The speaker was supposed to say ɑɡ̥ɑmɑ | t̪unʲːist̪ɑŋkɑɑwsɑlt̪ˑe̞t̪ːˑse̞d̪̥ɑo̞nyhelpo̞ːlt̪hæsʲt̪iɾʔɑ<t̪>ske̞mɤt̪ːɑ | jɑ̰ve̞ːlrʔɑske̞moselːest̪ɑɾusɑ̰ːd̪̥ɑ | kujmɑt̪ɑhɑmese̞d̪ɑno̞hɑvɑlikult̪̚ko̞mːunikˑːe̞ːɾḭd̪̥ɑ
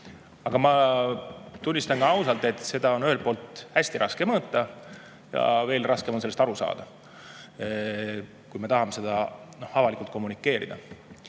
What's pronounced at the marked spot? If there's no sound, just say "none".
none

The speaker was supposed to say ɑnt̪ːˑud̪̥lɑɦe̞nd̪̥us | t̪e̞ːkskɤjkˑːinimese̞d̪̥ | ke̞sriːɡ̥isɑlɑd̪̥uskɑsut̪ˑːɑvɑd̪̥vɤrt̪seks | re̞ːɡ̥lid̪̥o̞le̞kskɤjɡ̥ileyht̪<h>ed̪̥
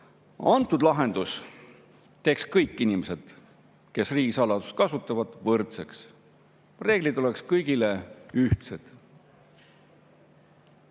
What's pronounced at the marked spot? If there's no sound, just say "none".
s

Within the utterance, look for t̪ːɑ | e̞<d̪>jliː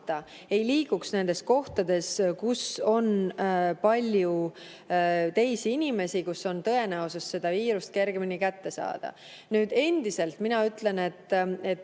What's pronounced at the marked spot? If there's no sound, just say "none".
none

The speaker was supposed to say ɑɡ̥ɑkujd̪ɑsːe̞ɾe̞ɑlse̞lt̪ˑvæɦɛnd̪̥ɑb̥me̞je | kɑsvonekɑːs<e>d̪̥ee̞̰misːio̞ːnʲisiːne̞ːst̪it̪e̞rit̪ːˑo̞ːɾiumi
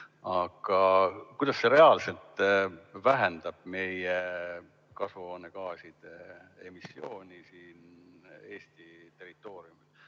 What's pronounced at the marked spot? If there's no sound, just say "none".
i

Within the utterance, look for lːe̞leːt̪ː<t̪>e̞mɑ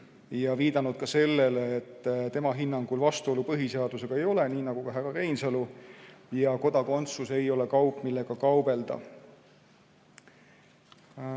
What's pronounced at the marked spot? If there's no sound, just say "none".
t̪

